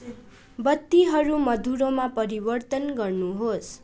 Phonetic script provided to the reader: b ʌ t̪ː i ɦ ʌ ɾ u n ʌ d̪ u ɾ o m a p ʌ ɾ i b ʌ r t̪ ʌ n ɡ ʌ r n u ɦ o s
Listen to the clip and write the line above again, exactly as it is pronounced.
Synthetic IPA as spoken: b ʌ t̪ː i ɦ ʌ ɾ u m ʌ d̪ u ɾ o m a p ʌ ɾ i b ʌ r t̪ ʌ n ɡ ʌ r n u ɦ o s